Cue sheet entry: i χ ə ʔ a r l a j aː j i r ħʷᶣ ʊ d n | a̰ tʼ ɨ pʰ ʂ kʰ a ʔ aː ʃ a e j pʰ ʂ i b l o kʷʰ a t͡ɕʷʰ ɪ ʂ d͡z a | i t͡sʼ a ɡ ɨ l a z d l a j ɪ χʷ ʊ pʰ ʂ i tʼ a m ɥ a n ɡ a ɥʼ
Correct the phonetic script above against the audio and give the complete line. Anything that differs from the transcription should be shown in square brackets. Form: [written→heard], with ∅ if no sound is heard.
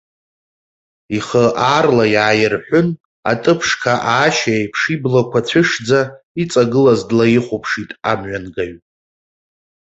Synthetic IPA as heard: i χ ə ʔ a r l a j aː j [i→ɪ] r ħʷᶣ ʊ [d→∅] n | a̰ tʼ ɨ pʰ ʂ kʰ a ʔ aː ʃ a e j pʰ ʂ i b l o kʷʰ a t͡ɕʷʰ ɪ ʂ d͡z a | i t͡sʼ a ɡ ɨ l a z d l a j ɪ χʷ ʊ pʰ ʂ i tʼ a m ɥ a n ɡ a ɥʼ